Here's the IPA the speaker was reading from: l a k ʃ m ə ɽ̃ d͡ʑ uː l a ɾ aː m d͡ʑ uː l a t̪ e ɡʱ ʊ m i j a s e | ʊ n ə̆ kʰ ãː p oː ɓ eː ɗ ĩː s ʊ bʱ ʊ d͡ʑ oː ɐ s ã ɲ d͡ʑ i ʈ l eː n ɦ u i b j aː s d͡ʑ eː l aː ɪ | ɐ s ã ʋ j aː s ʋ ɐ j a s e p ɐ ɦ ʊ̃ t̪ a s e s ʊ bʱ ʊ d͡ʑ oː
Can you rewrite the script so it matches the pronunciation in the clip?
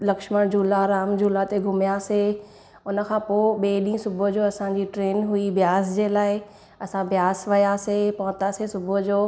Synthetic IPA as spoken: l ɐ k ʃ m ə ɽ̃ d͡ʑ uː l a ɾ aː m d͡ʑ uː l a t̪ e ɡʱ ʊ m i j a s e | ʊ n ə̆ kʰ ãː p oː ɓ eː ɗ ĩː s ʊ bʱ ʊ d͡ʑ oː ɐ s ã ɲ d͡ʑ i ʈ ɾ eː n ɦ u i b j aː s d͡ʑ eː l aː ɪ | ɐ s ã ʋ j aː s ʋ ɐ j a s e p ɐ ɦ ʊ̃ t̪ a s e s ʊ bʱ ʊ d͡ʑ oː